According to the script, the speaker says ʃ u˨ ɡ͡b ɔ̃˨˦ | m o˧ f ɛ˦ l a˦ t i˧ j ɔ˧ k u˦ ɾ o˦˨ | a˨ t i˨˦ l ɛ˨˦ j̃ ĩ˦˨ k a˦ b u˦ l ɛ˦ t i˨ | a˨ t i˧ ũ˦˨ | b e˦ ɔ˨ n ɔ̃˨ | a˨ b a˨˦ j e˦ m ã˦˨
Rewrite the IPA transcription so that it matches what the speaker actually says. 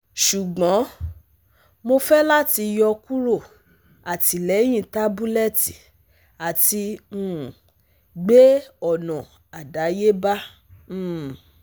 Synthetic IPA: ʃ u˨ ɡ͡b ɔ̃˨˦ | m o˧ f ɛ˦ l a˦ t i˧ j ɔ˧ k u˦ ɾ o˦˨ | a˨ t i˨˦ l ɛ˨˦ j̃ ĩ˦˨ t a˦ b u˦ l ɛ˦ t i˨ | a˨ t i˧ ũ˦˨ | ɡ͡b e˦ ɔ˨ n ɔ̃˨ | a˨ d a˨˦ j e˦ b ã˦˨